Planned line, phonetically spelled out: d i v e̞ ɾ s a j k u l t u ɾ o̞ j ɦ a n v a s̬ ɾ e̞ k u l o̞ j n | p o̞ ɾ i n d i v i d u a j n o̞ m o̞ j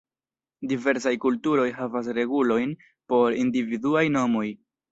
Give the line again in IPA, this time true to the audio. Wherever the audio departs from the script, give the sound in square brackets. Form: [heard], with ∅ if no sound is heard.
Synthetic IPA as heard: d i v e̞ ɾ s a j k u l t u ɾ o̞ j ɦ a [∅] v a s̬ ɾ e̞ [ɡ] u l o̞ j n | p o̞ ɾ i n d i v i d u a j n o̞ m o̞ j